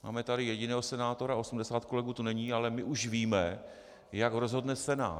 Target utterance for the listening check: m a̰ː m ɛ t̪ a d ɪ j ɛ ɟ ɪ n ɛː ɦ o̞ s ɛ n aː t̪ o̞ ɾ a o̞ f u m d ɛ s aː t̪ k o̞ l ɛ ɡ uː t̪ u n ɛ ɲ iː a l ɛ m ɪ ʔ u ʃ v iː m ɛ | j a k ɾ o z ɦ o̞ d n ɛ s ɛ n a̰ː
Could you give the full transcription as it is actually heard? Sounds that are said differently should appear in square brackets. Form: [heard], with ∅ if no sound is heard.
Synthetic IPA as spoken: m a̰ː m ɛ t̪ a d ɪ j ɛ ɟ ɪ n ɛː ɦ o̞ s ɛ n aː t̪ o̞ ɾ a o̞ [s] u m d ɛ s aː t̪ k o̞ l ɛ ɡ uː t̪ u n ɛ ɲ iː a l ɛ m ɪ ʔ u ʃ v iː m ɛ | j a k ɾ o z ɦ o̞ d n ɛ s ɛ n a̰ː